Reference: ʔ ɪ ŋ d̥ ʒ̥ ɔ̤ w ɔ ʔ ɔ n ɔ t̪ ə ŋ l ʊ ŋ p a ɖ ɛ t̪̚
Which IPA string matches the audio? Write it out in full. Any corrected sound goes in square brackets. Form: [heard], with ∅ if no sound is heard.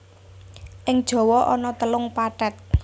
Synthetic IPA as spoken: ʔ ɪ ŋ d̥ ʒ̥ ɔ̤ w ɔ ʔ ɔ n ɔ t̪ ə [∅] l ʊ ŋ p a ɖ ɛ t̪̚